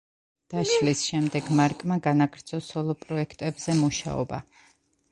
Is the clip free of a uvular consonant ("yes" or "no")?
yes